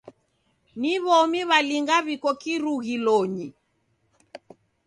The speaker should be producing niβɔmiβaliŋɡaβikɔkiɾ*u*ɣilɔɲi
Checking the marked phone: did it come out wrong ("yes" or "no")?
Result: no